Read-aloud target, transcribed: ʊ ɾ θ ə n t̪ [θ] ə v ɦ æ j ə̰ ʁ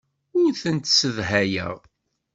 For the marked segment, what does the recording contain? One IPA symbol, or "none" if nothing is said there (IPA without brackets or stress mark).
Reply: s